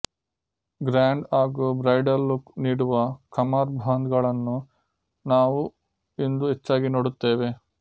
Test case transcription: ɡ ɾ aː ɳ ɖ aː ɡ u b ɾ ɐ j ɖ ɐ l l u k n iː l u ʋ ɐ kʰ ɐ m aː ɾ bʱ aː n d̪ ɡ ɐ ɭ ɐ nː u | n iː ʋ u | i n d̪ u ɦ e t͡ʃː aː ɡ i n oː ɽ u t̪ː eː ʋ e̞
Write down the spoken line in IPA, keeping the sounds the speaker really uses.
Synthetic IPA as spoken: ɡ ɾ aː ɳ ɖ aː ɡ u b ɾ ɐ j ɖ ɐ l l u k n iː ɽ u ʋ ɐ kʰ ɐ m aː ɾ bʱ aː n d̪ ɡ ɐ ɭ ɐ nː u | n aː ʋ u | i n d̪ u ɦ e t͡ʃː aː ɡ i n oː ɽ u t̪ː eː ʋ e̞